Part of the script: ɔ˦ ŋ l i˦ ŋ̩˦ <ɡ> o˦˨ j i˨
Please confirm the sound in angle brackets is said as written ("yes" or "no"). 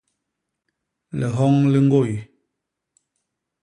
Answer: yes